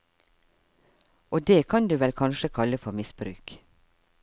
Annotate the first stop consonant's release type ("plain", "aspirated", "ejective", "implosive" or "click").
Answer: plain